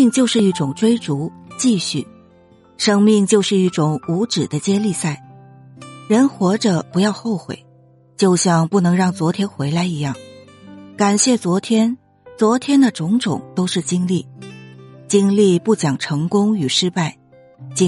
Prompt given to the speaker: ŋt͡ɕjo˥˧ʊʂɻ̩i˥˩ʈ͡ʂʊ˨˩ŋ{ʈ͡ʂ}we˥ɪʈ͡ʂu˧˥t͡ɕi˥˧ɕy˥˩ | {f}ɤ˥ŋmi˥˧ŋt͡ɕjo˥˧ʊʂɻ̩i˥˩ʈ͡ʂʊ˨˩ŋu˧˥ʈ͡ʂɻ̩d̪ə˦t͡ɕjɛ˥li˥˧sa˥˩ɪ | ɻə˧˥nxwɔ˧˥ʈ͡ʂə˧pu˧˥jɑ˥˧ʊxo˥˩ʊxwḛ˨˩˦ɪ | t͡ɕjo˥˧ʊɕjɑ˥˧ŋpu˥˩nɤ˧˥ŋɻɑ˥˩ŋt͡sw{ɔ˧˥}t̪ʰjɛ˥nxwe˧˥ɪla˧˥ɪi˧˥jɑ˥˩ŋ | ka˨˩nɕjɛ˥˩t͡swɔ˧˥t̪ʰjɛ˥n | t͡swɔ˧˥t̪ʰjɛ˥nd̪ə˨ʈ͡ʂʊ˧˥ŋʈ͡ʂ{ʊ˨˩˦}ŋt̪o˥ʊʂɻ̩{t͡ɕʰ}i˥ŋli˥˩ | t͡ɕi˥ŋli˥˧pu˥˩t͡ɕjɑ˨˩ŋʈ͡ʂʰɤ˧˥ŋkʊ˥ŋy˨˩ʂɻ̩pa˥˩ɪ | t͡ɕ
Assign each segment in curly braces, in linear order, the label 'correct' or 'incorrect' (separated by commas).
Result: correct, incorrect, correct, correct, incorrect